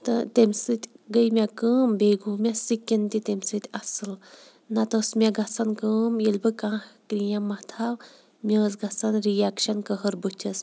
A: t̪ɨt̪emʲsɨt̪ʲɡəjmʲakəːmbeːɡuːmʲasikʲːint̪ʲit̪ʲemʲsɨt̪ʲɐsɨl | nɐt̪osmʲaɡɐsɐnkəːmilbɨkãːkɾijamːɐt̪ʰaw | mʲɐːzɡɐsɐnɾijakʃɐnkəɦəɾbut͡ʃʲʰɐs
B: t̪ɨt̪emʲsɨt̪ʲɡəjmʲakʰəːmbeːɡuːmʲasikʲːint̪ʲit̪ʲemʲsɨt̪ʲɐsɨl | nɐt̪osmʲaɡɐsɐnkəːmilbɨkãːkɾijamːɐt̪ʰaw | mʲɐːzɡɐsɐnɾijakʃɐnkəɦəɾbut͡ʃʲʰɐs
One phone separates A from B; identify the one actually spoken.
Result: A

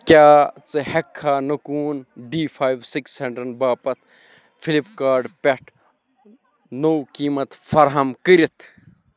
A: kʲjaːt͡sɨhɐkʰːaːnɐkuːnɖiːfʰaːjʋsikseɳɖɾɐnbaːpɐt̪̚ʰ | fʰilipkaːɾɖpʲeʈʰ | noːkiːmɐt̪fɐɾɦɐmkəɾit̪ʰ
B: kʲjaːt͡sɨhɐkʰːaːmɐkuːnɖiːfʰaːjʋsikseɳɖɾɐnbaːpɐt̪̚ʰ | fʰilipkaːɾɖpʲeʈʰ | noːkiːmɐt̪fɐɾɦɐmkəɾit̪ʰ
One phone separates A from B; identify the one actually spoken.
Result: A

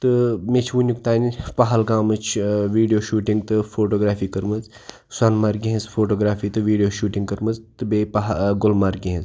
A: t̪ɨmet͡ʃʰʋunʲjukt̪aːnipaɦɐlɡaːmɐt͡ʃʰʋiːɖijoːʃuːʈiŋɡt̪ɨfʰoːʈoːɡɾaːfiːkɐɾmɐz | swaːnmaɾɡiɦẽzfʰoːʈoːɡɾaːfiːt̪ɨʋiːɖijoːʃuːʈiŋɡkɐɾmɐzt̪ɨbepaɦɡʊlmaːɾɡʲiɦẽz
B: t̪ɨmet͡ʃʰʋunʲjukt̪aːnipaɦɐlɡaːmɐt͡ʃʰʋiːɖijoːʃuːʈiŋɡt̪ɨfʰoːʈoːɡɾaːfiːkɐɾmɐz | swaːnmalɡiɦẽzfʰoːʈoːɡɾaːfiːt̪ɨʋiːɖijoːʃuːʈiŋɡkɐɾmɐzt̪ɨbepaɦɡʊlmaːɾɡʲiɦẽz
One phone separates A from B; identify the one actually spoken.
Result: A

